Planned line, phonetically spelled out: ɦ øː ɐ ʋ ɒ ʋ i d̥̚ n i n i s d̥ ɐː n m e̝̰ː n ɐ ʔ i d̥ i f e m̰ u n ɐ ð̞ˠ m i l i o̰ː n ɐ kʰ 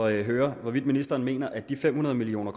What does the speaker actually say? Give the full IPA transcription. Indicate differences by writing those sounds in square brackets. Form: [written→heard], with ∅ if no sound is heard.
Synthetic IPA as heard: ɦ øː ɐ ʋ ɒ ʋ i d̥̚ [n→m] i n i s d̥ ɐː n m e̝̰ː n ɐ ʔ [i→æ] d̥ i f e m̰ u n ɐ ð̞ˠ m i l i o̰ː n ɐ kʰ

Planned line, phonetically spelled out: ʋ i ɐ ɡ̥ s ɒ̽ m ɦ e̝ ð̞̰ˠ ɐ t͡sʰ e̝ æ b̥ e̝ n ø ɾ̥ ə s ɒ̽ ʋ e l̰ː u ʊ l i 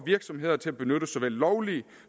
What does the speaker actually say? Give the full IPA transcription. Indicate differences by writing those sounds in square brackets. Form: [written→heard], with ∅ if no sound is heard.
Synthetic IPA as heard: ʋ i ɐ ɡ̥ s ɒ̽ m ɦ e̝ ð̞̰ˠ ɐ t͡sʰ e̝ æ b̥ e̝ n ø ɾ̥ ə s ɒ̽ ʋ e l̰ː [u→ɒ] ʊ l i

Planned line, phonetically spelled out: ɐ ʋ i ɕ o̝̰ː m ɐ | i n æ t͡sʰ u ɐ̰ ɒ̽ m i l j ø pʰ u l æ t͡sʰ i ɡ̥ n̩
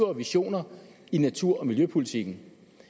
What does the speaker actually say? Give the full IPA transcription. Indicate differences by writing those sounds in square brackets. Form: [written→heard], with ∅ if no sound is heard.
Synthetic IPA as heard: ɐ ʋ i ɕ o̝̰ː [m→n] ɐ | i n æ t͡sʰ u ɐ̰ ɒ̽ m i l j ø pʰ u l [æ→i] t͡sʰ i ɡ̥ n̩

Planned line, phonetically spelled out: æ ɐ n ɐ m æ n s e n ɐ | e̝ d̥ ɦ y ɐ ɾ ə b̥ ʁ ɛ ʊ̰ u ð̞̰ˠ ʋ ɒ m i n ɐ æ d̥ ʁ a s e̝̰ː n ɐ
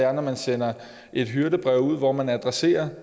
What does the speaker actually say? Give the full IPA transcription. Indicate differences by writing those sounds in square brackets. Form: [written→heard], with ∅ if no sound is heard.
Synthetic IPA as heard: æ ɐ n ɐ m æ n s e n ɐ | e̝ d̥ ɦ y ɐ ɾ ə b̥ ʁ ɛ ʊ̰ u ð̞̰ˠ ʋ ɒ m [i→æ] n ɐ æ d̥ ʁ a s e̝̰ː [n→∅] ɐ

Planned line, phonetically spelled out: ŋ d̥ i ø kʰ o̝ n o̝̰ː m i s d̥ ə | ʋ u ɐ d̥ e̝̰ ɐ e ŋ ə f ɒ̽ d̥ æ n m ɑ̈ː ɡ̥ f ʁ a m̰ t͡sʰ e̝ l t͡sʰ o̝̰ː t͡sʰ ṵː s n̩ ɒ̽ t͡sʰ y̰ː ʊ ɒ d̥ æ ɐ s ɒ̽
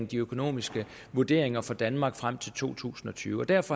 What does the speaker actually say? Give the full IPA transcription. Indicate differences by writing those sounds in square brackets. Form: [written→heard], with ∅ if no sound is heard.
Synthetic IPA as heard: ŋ d̥ i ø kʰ o̝ n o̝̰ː m i s [d̥→ɡ̥] ə | ʋ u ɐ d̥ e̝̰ ɐ e ŋ [ə→ɐ] f ɒ̽ d̥ æ n m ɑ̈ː ɡ̥ f ʁ a m̰ t͡sʰ e̝ l t͡sʰ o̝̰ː t͡sʰ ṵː s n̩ ɒ̽ t͡sʰ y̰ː ʊ ɒ d̥ æ ɐ [s→f] ɒ̽

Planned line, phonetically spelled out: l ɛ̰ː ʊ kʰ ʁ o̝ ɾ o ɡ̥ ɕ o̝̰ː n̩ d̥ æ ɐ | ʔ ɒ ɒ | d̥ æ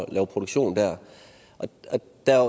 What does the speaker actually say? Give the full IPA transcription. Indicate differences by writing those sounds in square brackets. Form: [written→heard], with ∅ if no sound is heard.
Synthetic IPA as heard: l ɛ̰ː ʊ [kʰ→pʰ] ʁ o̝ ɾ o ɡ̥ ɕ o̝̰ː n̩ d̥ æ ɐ | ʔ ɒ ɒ | d̥ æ

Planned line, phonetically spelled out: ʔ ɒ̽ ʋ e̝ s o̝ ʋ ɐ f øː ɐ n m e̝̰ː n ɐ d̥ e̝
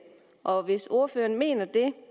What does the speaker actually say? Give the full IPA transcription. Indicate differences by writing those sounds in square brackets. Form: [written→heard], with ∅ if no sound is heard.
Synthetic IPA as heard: ʔ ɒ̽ ʋ e̝ s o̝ [ʋ→∅] ɐ f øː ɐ n m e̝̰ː n ɐ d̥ e̝

